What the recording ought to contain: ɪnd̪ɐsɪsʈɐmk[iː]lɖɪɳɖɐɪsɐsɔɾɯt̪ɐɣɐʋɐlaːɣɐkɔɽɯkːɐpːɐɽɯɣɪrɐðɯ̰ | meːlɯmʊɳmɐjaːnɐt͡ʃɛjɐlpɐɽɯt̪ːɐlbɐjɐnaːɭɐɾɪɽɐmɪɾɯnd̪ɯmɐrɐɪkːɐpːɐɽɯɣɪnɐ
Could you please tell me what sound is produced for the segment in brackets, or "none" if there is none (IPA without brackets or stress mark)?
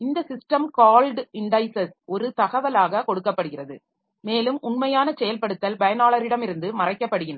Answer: aː